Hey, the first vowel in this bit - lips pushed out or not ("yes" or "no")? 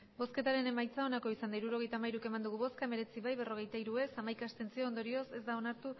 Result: yes